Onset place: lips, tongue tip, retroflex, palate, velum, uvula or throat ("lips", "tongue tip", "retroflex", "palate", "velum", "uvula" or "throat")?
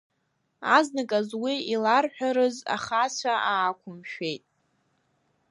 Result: tongue tip